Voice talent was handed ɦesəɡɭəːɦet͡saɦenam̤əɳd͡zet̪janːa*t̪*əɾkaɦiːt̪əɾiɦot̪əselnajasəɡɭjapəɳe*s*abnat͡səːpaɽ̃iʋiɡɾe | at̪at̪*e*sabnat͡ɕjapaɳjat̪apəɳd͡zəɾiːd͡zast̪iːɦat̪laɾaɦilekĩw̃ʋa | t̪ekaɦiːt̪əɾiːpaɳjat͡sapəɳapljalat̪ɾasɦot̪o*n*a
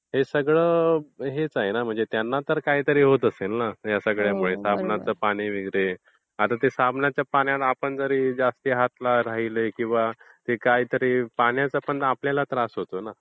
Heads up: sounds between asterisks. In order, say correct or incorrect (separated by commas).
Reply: correct, correct, correct, correct